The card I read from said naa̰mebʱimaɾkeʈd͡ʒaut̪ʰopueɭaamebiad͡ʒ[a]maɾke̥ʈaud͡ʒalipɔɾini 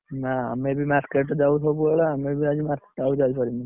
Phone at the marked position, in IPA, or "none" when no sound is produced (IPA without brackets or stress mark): i